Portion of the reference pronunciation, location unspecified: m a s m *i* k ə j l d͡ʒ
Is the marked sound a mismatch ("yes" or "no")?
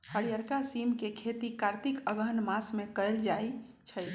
yes